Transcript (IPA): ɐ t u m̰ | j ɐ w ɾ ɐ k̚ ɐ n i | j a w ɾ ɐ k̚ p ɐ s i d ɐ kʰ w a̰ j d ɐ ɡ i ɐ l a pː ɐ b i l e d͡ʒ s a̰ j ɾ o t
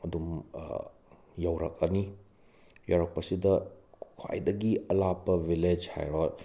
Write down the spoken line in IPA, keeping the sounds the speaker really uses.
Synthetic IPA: ɐ d u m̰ | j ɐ w ɾ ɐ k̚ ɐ n i | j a w ɾ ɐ k̚ p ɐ s i d ɐ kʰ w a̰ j d ɐ ɡ i ɐ l a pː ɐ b i l e d͡ʒ h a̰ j ɾ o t